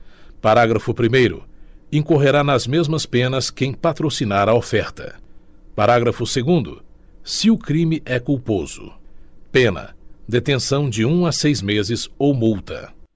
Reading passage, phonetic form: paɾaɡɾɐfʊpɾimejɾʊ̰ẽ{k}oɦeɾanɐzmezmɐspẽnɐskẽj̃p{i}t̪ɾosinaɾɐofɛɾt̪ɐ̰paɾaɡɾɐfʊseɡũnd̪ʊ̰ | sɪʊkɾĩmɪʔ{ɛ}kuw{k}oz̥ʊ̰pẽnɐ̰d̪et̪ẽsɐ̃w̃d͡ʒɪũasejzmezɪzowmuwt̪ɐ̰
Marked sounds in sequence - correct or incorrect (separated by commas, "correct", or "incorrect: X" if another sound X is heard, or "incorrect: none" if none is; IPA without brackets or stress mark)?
correct, incorrect: a, correct, incorrect: p